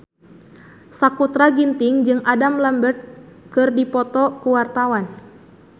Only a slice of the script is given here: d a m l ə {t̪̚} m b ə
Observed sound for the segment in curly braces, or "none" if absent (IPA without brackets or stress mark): none